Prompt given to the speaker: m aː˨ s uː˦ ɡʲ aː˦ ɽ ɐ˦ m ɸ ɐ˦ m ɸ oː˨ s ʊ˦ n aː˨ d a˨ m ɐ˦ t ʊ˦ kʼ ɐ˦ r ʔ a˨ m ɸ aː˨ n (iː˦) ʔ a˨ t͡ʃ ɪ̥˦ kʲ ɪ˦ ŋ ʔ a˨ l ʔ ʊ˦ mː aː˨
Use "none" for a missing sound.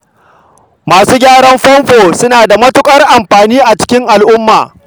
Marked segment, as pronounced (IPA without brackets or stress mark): iː˦